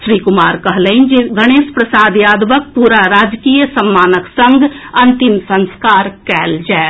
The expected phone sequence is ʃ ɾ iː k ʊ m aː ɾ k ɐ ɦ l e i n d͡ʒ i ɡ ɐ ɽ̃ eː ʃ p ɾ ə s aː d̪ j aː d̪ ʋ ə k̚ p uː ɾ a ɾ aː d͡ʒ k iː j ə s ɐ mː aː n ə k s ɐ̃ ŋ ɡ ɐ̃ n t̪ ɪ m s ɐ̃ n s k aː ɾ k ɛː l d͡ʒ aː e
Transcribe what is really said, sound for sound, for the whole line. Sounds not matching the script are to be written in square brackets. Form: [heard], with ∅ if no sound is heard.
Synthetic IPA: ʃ ɾ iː k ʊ m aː ɾ k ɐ ɦ l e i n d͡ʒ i ɡ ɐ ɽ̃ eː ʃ p ɾ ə s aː d̪ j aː d̪ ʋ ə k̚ p uː ɾ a ɾ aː d͡ʒ k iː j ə s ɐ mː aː n ə k s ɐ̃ ŋ ɡ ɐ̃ n t̪ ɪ m s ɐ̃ n s k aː ɾ k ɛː l d͡ʒ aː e